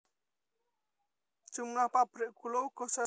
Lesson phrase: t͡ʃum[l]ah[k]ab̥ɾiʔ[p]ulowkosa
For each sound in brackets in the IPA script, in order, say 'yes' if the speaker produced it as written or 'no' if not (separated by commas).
yes, no, no